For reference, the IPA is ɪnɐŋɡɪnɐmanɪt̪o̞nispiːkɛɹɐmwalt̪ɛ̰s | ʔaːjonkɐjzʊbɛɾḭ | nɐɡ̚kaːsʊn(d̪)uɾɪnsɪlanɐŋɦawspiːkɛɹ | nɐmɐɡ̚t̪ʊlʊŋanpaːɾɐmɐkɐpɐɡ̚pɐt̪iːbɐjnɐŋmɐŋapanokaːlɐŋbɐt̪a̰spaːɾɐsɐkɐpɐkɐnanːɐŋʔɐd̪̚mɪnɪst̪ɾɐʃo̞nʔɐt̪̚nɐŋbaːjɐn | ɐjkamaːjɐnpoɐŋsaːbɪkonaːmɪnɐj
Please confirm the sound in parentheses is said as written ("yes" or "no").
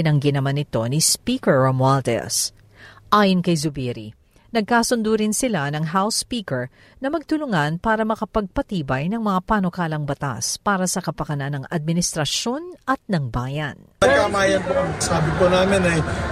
yes